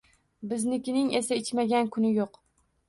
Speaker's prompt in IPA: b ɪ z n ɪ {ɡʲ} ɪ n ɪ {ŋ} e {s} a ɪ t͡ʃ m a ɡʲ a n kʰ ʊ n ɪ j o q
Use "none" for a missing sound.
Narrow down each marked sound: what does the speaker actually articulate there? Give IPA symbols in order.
kʲ, ŋ, s

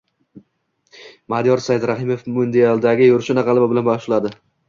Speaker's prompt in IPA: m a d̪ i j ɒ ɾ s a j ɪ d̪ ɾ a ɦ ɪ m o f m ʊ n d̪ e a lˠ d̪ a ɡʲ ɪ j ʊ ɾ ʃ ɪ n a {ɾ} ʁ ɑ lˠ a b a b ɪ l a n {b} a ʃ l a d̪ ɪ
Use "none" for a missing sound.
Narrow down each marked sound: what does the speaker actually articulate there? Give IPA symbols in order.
none, b

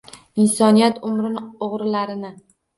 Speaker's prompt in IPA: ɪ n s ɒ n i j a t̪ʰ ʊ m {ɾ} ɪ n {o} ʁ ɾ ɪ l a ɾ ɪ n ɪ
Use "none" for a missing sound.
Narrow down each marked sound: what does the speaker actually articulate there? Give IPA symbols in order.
ɾ, o

